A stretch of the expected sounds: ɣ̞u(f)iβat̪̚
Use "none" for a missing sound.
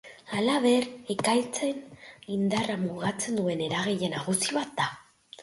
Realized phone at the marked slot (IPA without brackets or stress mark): s